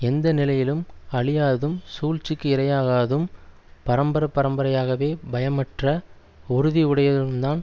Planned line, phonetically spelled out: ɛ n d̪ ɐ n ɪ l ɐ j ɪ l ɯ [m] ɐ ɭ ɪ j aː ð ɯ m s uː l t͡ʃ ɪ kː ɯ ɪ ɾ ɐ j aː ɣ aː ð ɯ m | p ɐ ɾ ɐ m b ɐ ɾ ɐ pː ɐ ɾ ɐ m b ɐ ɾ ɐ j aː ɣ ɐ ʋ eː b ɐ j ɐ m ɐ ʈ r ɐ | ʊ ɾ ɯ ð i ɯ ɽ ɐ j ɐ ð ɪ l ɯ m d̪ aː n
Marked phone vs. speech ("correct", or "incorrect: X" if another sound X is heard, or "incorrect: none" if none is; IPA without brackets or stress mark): correct